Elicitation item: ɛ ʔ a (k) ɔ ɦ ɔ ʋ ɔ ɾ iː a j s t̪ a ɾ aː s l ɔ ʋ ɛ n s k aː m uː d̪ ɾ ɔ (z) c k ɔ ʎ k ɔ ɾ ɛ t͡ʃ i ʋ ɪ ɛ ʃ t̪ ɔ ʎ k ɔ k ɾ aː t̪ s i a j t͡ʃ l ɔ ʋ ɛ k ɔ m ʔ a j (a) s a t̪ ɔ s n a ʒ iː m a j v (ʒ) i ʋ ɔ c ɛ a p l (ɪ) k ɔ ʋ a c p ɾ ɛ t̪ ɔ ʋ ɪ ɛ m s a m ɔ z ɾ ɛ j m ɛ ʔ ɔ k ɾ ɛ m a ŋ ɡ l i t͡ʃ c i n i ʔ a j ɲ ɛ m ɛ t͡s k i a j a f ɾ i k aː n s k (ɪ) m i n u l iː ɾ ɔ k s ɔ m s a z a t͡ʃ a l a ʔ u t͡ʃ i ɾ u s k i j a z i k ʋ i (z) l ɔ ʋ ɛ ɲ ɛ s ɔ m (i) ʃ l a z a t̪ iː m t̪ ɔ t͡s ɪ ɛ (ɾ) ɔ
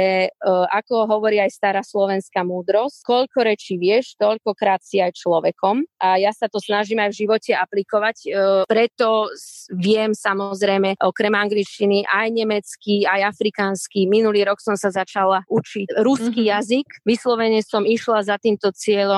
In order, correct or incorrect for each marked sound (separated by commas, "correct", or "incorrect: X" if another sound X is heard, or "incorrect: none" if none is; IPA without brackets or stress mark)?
correct, incorrect: s, correct, correct, incorrect: i, incorrect: i, incorrect: s, correct, incorrect: ʎ